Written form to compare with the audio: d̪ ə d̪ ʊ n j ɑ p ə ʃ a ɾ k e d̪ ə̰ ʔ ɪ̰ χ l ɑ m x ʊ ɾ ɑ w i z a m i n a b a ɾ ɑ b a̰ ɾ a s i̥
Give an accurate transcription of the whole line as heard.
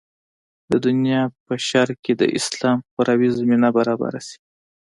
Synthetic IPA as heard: d̪ ə d̪ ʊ n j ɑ p ə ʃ a ɾ k e d̪ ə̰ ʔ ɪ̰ s l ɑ m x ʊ ɾ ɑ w i z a m i n a b a ɾ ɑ b a̰ ɾ a s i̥

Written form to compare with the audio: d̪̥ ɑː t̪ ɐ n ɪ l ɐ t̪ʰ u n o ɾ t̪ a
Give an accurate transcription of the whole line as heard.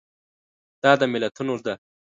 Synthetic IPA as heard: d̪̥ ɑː d̪ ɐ m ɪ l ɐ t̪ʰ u n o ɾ d̪ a

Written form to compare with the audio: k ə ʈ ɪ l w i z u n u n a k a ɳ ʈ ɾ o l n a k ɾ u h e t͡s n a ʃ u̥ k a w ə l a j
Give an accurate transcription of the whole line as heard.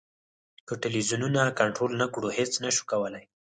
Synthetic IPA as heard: k ə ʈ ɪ l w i z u n u n a k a ɳ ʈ ɾ o l n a k ɽ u h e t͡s n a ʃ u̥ k a w ə l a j

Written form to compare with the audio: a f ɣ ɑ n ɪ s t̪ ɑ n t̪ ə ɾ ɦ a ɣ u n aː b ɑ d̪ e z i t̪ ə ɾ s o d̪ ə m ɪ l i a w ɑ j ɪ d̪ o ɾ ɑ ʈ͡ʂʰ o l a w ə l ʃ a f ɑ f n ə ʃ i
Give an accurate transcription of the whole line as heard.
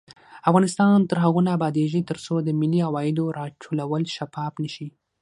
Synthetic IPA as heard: a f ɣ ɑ n ɪ s t̪ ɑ n t̪ ə ɾ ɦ a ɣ u n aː b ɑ d̪ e ʒ i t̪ ə ɾ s o d̪ ə m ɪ l i a w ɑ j ɪ d̪ o ɾ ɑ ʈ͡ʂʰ o l a w ə l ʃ a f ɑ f n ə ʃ i

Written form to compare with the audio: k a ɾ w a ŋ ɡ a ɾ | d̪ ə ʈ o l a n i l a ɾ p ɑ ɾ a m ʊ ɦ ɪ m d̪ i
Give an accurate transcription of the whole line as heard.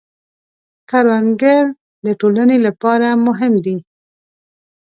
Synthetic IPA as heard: k a ɾ w a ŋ ɡ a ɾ | d̪ ə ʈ o l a n e l a p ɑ ɾ a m ʊ ɦ ɪ m d̪ i

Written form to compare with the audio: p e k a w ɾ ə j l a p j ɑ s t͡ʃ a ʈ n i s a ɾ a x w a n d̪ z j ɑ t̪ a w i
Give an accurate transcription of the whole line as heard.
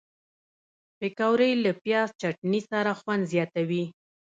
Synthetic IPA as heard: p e k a w ɾ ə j l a p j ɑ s t͡ʃ a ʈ n i s a ɾ a x w a n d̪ z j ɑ t̪ a w i

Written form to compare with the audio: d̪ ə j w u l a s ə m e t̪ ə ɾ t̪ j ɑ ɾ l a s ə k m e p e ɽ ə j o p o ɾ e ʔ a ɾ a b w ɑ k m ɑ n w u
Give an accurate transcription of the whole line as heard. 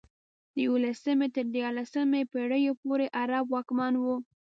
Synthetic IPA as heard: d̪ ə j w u l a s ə m e t̪ ə ɾ d̪ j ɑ ɾ l a s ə m e p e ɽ ə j o p o ɾ e ʔ a ɾ a b w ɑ k m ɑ n w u

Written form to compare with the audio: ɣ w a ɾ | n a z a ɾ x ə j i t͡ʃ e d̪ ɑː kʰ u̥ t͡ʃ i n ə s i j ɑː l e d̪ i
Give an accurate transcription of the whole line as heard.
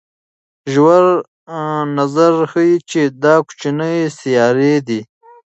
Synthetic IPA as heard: ʒ w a ɾ | n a z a ɾ x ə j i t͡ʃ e d̪ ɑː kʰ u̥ t͡ʃ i n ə s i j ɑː ɾ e d̪ i

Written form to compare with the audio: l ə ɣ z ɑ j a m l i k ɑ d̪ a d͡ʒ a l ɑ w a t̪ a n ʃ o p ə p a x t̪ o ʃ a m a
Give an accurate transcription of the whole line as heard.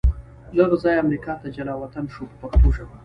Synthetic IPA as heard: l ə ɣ z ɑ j a m ɾ i k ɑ t̪ a d͡ʒ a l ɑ w a t̪ a n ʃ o p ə p a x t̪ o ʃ a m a

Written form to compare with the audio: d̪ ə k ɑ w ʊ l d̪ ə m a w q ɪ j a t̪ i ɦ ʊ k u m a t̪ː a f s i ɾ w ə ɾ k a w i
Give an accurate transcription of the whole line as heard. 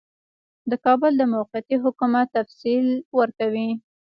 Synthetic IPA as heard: d̪ ə k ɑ b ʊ l d̪ ə m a w q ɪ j a t̪ i ɦ ʊ k u m a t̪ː a f s i l w ə ɾ k a w i

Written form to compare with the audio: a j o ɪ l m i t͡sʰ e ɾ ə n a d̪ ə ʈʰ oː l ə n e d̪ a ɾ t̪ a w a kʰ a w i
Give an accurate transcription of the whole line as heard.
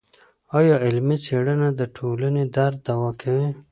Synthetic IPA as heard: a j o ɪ l m i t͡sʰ e ɽ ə n a d̪ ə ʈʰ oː l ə n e d̪ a ɾ d̪ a w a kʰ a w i

